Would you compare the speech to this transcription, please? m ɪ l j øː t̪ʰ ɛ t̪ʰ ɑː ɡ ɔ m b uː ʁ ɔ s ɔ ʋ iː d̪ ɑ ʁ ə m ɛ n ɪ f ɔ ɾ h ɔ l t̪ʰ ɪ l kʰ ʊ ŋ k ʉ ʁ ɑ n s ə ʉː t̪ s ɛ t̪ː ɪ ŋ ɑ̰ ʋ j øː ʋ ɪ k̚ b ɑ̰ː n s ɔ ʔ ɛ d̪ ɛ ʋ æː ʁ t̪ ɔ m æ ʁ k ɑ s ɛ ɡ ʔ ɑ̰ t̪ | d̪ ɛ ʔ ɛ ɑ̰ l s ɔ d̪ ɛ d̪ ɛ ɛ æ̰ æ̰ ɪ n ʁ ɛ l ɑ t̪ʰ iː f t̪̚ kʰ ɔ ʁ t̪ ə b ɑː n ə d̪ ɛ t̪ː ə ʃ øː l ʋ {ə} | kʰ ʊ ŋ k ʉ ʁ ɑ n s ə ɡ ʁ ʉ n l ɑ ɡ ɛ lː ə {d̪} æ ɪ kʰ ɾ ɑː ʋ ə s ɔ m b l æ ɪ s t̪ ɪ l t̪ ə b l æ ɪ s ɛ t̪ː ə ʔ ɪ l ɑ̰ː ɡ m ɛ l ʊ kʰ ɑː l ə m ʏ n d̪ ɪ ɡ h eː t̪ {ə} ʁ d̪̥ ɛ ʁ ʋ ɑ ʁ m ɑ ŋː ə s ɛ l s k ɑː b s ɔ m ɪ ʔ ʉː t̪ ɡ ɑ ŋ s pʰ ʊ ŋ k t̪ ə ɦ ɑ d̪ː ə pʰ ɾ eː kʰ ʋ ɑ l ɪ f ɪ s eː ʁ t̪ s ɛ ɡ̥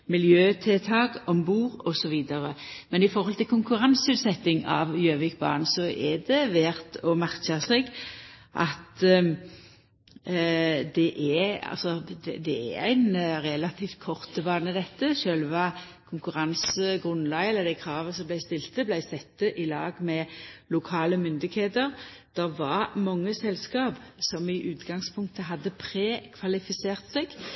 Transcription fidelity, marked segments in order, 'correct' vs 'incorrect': incorrect: ɑ, correct, correct

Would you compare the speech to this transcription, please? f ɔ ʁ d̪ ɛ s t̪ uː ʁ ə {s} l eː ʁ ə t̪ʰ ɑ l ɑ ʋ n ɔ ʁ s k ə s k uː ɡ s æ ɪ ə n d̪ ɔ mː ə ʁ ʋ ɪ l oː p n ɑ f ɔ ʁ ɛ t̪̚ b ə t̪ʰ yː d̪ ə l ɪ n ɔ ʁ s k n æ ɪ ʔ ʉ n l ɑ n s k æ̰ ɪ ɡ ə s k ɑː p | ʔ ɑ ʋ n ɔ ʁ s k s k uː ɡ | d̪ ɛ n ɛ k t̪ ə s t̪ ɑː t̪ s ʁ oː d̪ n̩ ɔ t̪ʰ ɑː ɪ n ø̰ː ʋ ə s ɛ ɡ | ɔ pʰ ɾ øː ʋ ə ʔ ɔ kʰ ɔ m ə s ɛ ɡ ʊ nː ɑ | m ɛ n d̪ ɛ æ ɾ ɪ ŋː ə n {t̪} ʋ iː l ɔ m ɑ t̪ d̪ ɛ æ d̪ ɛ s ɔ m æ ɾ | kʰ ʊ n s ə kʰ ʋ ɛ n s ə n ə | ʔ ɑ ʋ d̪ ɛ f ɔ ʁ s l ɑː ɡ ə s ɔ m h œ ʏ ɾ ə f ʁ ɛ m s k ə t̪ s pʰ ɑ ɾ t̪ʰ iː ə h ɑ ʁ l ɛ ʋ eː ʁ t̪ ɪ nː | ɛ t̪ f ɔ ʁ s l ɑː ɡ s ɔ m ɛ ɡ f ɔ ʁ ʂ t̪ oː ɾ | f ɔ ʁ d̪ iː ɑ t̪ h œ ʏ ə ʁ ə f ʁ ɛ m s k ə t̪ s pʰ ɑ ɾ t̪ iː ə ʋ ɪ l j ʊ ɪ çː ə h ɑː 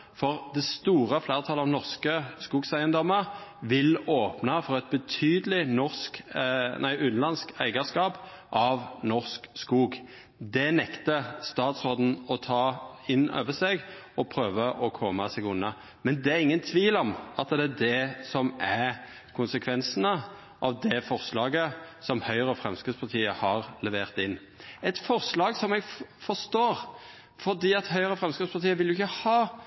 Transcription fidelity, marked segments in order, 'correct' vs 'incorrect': incorrect: f, incorrect: t̪ʰ

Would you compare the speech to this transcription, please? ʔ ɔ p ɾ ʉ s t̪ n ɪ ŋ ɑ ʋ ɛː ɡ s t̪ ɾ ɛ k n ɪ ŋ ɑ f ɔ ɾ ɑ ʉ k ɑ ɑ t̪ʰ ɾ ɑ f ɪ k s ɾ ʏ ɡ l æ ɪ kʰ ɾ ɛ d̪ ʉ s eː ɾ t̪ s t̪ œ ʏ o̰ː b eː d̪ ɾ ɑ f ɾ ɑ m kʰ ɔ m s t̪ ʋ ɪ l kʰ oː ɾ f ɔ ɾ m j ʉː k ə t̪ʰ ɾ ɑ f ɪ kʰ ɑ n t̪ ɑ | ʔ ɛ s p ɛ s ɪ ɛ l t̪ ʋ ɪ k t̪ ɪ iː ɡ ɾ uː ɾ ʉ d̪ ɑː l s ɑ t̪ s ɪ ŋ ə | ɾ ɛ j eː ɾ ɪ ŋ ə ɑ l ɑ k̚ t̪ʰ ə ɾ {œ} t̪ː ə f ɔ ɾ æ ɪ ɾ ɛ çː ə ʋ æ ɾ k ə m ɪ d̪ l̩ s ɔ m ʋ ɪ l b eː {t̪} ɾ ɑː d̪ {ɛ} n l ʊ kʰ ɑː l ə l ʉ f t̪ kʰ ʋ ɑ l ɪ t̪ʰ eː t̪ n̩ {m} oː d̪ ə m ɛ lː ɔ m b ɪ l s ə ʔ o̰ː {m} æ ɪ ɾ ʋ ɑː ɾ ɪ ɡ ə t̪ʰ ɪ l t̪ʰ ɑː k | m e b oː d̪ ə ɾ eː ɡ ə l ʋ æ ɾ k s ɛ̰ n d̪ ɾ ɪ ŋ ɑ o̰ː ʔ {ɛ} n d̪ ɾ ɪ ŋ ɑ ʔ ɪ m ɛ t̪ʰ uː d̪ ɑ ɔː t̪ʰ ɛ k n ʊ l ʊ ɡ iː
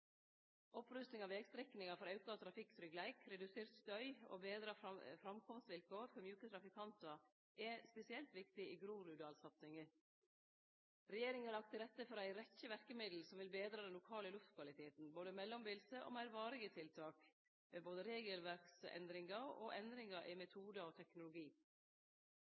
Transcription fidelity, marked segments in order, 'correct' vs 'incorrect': incorrect: ɛ, incorrect: d̪, correct, incorrect: b, correct, correct

